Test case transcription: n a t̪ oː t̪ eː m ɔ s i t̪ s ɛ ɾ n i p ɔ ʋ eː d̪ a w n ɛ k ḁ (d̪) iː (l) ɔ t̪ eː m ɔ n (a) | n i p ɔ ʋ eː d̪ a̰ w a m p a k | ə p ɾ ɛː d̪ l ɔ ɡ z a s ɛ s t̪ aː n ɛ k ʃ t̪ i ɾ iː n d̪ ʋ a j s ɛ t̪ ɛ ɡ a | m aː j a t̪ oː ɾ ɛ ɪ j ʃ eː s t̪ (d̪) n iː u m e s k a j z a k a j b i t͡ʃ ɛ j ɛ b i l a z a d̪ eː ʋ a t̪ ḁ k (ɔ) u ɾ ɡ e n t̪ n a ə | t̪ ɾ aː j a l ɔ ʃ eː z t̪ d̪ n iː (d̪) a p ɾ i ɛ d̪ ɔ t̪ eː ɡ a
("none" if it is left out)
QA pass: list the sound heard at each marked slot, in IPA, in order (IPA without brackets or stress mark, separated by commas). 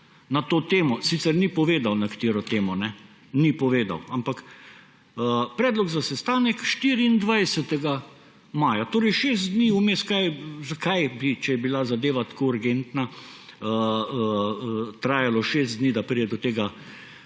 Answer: t̪, ɾ, ɛ, d̪, o, d̪